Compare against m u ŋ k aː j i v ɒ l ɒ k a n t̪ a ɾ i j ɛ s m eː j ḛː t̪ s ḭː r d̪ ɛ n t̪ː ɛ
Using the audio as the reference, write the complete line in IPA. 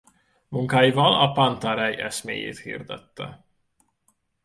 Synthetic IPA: m u ŋ k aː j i v ɒ l ɒ p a n t̪ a ɾ ɛ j ɛ s m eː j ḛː t̪ h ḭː r d̪ ɛ t̪ː ɛ